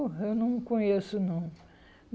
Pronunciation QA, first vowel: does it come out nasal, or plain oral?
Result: oral